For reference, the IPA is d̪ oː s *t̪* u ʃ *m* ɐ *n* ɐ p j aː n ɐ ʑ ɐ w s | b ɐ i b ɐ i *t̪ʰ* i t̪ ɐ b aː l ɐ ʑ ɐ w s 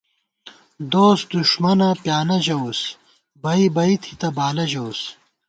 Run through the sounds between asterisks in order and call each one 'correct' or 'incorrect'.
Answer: incorrect, correct, correct, correct

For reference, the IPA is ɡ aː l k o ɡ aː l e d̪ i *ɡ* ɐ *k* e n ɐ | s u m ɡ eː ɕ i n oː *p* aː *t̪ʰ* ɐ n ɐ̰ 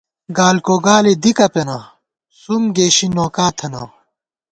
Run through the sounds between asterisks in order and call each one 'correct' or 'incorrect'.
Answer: incorrect, incorrect, incorrect, correct

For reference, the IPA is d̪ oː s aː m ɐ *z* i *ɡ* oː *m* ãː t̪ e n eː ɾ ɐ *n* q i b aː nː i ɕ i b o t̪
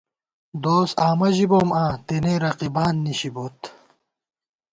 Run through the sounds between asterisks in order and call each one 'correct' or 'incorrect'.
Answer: incorrect, incorrect, correct, incorrect

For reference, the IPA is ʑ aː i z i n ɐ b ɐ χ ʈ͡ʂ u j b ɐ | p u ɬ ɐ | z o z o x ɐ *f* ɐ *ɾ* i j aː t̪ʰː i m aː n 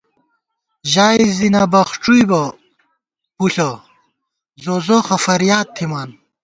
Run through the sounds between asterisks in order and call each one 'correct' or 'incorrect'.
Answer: correct, correct

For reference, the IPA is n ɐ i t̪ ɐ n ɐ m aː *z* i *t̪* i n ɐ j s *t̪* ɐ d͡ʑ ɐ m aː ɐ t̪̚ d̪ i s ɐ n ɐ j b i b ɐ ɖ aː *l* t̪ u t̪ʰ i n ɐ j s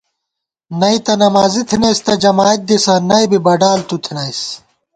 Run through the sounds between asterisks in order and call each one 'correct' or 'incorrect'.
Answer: correct, incorrect, correct, correct

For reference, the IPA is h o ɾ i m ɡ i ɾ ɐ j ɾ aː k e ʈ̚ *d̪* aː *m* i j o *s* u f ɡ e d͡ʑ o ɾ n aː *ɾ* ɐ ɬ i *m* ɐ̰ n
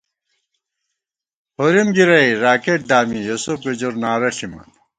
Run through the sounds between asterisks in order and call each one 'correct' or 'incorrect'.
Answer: correct, correct, correct, correct, correct

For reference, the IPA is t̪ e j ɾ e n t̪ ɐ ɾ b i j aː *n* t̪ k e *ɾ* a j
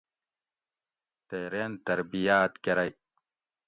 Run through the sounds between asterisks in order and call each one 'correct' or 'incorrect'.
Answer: incorrect, correct

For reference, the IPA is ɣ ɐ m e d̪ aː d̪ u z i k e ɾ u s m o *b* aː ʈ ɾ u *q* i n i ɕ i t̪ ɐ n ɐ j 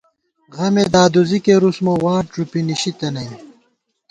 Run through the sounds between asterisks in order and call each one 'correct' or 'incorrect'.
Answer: incorrect, incorrect

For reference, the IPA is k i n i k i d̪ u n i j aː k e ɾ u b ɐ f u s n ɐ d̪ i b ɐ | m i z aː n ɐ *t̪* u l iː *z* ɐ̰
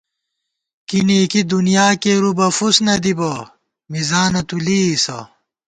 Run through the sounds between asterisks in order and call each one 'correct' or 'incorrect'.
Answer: correct, incorrect

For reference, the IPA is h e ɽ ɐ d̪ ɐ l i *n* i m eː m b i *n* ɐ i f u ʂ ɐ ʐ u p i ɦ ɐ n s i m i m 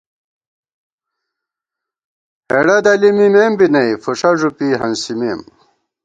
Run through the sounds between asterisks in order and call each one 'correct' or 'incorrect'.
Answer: incorrect, correct

